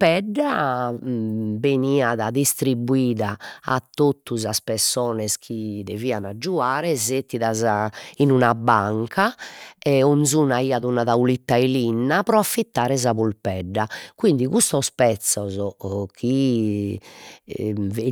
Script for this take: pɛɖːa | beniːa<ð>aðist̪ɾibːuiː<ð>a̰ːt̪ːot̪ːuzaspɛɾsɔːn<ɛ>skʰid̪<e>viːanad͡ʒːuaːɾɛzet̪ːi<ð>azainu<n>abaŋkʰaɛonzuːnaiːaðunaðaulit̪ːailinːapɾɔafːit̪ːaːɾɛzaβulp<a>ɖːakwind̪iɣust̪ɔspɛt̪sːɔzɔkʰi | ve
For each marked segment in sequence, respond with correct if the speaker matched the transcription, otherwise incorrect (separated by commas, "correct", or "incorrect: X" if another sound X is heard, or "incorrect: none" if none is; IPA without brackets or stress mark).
correct, correct, correct, correct, correct, correct, incorrect: ɛ